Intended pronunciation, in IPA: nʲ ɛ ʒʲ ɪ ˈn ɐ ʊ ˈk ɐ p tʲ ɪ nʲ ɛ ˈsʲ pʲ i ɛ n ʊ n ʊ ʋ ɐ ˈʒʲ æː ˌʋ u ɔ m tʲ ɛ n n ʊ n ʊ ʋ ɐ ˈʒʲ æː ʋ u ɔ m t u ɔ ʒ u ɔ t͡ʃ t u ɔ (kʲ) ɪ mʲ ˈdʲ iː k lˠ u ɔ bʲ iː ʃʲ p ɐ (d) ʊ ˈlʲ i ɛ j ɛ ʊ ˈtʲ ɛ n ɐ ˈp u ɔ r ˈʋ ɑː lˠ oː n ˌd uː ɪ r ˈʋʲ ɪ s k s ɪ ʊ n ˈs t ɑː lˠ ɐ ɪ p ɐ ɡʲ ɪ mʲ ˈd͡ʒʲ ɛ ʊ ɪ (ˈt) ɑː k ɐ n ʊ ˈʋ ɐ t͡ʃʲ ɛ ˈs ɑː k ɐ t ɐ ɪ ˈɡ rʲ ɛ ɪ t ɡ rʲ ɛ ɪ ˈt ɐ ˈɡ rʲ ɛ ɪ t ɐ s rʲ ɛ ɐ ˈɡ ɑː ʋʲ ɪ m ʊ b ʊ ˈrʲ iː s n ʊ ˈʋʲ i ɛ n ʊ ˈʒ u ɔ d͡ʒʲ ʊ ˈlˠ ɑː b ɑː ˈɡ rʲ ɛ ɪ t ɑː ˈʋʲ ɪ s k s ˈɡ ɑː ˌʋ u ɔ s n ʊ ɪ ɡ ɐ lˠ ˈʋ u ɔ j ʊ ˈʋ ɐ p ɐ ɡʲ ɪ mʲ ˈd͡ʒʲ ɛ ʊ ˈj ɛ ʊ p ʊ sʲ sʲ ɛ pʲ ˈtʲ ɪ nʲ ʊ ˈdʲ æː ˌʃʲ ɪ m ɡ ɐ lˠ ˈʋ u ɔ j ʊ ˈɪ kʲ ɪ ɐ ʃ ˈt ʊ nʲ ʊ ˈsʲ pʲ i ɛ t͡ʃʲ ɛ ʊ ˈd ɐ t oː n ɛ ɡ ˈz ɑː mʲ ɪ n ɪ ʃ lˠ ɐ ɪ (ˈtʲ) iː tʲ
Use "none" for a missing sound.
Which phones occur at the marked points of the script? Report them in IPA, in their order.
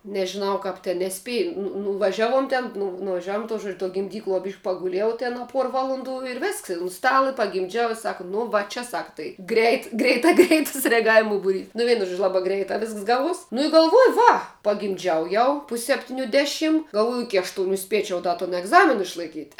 ɡʲ, ɡ, s, kʲ

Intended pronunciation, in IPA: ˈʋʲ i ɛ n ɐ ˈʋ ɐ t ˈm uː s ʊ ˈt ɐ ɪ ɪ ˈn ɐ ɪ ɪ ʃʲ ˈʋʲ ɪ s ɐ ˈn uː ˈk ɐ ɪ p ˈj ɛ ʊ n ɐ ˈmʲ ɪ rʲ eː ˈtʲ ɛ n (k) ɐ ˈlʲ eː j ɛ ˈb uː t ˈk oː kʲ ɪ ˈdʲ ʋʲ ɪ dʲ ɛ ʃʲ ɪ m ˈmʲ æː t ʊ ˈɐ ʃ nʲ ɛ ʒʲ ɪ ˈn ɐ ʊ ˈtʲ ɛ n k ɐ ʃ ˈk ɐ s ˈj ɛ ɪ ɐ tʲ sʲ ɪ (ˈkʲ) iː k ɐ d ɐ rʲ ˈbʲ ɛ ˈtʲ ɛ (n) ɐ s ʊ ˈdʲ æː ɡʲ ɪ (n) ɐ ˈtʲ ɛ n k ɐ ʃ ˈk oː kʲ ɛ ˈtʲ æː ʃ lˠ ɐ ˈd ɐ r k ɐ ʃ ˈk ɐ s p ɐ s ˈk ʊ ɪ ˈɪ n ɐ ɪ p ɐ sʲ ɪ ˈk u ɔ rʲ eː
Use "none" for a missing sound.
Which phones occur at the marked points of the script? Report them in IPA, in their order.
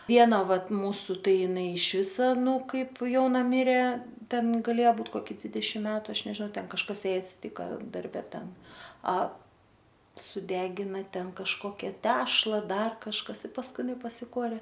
ɡ, tʲ, n, n

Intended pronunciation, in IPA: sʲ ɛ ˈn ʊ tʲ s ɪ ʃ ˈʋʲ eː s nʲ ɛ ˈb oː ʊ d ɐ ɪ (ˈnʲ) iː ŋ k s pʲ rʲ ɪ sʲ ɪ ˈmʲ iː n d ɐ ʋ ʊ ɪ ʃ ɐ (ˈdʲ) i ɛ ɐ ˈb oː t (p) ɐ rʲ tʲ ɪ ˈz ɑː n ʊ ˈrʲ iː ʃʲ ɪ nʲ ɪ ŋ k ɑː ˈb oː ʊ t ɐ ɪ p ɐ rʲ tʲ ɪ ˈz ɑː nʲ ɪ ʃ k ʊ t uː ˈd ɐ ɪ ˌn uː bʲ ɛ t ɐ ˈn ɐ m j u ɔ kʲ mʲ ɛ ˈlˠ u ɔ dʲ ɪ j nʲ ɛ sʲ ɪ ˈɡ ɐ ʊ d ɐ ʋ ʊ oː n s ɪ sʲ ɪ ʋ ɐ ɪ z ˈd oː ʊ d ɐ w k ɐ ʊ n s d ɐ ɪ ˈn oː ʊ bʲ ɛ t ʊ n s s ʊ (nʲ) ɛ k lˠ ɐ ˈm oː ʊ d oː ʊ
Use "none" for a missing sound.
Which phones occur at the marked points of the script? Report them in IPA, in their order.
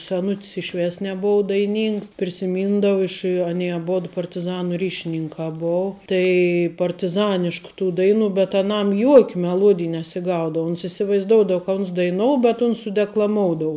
nʲ, nʲ, p, dʲ

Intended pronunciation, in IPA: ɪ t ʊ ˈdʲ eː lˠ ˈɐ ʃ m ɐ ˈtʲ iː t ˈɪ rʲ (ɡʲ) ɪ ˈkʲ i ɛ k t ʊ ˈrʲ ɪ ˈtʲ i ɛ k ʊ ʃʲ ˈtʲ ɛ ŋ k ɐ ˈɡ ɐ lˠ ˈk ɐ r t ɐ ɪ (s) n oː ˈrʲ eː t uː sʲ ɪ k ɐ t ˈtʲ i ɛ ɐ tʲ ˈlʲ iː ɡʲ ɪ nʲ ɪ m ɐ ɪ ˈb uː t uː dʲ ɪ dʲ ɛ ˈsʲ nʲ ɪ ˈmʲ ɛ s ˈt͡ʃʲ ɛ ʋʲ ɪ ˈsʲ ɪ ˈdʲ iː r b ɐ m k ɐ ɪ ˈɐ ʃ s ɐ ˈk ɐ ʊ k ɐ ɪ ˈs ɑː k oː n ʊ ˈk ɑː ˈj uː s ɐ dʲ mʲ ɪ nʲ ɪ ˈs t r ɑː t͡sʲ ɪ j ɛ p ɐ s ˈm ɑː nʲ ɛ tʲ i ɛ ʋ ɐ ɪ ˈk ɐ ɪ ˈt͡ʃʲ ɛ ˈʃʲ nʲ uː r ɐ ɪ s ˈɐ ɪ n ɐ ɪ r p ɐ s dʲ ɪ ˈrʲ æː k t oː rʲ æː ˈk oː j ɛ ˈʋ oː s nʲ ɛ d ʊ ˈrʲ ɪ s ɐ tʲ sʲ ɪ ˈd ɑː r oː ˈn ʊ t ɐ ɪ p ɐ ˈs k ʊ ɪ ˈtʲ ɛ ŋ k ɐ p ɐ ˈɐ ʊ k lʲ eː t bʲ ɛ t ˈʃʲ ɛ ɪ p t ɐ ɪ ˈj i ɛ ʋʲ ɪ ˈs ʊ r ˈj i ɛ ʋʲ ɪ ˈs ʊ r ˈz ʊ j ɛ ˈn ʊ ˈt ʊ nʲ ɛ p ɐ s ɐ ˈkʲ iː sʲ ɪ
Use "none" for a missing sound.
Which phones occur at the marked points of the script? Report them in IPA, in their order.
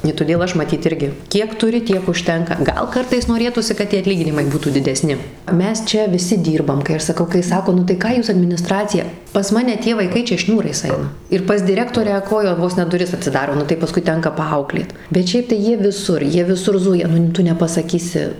ɡʲ, s

